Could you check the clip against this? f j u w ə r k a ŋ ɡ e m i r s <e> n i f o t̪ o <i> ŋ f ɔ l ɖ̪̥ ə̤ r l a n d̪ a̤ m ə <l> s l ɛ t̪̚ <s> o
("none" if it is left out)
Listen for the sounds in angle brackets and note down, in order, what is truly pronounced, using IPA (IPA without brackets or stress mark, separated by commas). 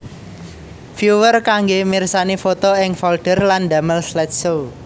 a, ɪ, l, s